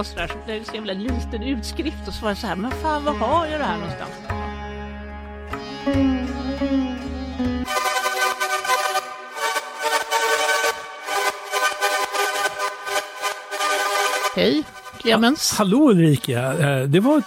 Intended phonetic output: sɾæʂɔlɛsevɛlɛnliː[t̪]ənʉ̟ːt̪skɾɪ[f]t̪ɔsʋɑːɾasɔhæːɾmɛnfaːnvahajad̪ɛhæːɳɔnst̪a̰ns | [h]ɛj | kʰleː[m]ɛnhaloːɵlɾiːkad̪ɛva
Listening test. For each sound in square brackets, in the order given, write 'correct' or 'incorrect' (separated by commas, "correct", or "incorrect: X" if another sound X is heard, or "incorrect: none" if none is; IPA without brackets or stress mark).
correct, correct, correct, correct